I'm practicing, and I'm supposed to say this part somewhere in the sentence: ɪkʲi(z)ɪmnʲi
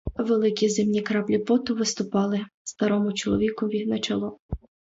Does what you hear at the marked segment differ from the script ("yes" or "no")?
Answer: no